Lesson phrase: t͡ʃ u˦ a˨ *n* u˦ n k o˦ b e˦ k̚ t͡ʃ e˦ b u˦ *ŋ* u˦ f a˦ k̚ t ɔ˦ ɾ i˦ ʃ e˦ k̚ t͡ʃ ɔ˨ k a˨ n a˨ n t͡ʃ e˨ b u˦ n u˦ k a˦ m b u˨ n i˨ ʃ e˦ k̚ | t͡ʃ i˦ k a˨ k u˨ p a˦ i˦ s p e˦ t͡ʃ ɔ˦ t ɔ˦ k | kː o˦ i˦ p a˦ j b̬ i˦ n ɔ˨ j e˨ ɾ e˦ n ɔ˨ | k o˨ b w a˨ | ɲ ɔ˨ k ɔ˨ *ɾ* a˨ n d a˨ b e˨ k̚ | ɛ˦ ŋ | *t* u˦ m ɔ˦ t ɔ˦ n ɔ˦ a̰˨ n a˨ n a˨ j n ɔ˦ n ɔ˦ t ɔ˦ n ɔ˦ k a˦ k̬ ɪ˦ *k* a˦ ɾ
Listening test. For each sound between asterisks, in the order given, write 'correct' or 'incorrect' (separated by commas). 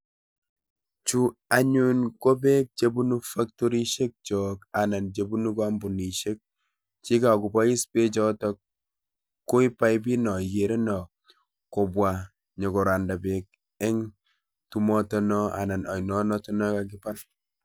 incorrect, incorrect, correct, correct, incorrect